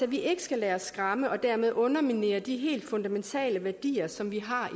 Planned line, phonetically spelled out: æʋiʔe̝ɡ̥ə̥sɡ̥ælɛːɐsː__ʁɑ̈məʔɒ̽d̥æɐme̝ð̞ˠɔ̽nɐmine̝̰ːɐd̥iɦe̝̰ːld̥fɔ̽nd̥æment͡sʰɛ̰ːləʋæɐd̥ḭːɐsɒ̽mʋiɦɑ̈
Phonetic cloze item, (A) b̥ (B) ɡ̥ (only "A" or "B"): B